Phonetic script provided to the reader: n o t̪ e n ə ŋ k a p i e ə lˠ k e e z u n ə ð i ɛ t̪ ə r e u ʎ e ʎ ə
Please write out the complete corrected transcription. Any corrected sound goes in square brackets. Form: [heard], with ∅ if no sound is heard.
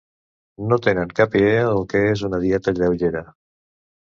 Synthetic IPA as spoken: n o t̪ e n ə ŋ k a p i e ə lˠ k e e z u n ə ð i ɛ t̪ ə [ʎ] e [w] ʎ e [ɾ] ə

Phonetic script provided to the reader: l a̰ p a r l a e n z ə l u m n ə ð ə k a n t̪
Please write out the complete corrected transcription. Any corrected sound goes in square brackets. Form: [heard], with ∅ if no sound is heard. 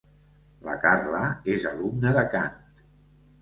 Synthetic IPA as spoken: l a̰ [k] a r l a e [∅] z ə l u m n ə ð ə k a n t̪

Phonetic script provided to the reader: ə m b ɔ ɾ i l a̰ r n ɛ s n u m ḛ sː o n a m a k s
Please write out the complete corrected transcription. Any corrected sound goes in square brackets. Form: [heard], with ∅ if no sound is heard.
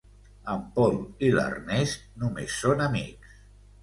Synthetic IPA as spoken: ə m [p] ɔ [l] i l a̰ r n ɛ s n u m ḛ sː o n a m [i] k s

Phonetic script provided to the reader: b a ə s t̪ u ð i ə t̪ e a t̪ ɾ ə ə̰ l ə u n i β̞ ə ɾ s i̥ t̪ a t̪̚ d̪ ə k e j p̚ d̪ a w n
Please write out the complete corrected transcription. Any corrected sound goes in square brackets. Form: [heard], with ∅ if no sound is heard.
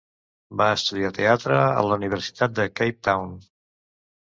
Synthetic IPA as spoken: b a ə s t̪ u ð i [a] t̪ e a t̪ ɾ ə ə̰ l ə u n i β̞ ə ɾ s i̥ t̪ a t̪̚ d̪ ə k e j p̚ [t̪] a w n

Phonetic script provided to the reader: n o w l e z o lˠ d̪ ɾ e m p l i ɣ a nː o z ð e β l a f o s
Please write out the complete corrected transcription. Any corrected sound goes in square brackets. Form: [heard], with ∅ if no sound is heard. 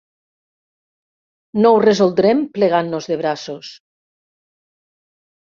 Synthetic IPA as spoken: n o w [r] e z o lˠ d̪ ɾ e m p l [e] ɣ a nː o z ð e β [ɾ] a [s] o s

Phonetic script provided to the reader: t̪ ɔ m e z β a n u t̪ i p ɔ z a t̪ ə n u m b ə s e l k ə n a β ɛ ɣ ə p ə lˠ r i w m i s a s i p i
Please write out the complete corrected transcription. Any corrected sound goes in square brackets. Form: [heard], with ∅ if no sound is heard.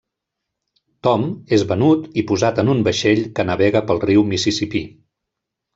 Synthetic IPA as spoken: t̪ ɔ m e z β [ə] n u t̪ i p [u] z a t̪ ə n u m b ə [ʃ] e [ʎ] k ə n [ə] β ɛ ɣ ə p ə lˠ r i w m i s [i] s i p i

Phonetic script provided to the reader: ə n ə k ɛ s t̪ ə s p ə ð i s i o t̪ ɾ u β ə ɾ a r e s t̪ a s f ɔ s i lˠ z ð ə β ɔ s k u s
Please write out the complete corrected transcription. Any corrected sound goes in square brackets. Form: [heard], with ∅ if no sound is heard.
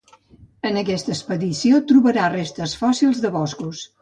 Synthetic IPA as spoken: ə n ə k ɛ s t̪ ə s p ə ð i s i o t̪ ɾ u β ə ɾ a r e s t̪ [ə] s f ɔ s i lˠ z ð ə β ɔ s k u s

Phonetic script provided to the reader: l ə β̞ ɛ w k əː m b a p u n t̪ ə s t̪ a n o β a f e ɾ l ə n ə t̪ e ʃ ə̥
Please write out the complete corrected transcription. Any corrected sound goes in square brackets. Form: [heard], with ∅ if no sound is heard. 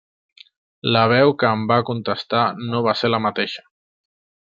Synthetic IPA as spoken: l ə β̞ ɛ w k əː m b a [k] u n t̪ ə s t̪ a n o β a [s] e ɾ l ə [m] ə t̪ e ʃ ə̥

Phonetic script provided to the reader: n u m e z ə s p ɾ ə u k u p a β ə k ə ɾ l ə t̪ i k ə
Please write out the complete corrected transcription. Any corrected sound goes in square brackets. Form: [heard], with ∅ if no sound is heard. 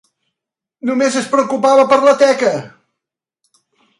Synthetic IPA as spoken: n u m e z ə s p ɾ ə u k u p a β ə [p] ə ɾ l ə t̪ [ɛ] k ə

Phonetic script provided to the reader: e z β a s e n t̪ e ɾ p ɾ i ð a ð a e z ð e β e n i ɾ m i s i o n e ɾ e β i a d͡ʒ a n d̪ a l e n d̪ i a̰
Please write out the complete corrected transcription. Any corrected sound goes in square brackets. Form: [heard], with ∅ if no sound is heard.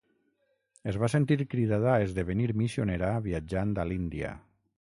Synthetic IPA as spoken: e z β a s e n t̪ [i] ɾ [k] ɾ i ð a ð a e z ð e β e n i ɾ m i s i o n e ɾ [a] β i a d͡ʒ a n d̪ a l [i] n d̪ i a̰

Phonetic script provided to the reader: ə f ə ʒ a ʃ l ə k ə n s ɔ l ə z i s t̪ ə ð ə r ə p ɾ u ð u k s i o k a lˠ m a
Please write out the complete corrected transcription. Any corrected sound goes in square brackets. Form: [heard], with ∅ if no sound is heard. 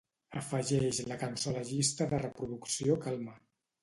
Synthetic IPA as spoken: ə f ə ʒ [ɛ] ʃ l ə k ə n s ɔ l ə [ʒ] i s t̪ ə ð ə r ə p ɾ u ð u k s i o k a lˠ m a

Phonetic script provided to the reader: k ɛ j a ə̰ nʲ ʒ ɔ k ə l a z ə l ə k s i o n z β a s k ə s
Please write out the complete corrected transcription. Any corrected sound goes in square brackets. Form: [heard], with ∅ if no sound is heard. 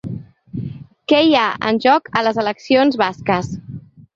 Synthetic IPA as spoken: k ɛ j a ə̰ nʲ ʒ ɔ k ə l [ə] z ə l ə k s i o n z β a s k ə s

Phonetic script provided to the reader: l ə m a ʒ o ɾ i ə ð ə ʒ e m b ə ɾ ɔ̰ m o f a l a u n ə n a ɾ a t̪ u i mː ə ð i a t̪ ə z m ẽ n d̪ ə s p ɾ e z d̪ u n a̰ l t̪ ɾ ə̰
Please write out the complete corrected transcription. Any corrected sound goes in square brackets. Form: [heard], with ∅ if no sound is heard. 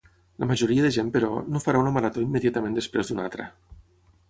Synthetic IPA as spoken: l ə m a ʒ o ɾ i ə ð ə ʒ e m [p] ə ɾ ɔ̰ [n] o f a [ɾ] a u n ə [m] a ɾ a t̪ [o] i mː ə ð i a t̪ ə [∅] m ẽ n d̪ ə s p ɾ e z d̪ u n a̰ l t̪ ɾ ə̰

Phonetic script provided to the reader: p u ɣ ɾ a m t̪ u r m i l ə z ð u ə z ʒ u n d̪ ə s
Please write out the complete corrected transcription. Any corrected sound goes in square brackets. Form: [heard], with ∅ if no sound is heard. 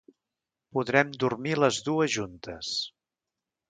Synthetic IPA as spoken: p u [ð] ɾ [ɛ] m [d̪] u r m i l ə z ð u ə z ʒ u n [t̪] ə s

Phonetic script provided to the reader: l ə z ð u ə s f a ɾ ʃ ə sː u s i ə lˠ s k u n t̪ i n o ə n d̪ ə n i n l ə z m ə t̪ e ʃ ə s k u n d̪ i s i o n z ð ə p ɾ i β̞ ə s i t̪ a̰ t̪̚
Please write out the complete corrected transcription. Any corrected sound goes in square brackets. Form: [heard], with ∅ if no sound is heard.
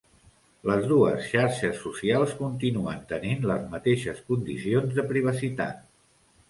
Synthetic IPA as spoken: l ə z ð u ə s [ʃ] a ɾ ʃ ə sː u s i [a] lˠ s k u n t̪ i n [u] ə n [t̪] ə n i n l ə z m ə t̪ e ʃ ə s k u n d̪ i s i o n z ð ə p ɾ i β̞ ə s i t̪ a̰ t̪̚

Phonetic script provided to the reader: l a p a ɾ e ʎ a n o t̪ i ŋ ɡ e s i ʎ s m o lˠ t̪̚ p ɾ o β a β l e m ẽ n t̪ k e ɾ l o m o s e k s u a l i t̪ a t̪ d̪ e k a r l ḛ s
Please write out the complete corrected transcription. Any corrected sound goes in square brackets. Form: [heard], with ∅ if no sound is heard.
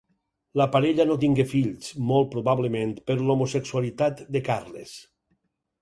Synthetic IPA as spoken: l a p a ɾ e ʎ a n o t̪ i ŋ ɡ e [f] i ʎ s m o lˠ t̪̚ p ɾ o β a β l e m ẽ n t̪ [p] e ɾ l o m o s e k s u a l i t̪ a t̪ d̪ e k a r l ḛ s

